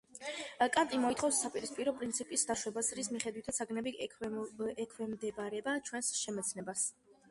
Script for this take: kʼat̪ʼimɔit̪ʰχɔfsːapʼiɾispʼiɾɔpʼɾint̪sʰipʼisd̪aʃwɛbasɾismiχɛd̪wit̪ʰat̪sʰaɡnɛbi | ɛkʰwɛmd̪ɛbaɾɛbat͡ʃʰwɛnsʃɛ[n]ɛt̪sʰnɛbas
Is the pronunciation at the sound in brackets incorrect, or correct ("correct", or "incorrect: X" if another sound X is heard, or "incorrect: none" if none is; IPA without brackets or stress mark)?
incorrect: m